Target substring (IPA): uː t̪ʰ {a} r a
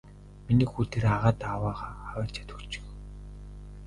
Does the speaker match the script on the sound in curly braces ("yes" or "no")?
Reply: no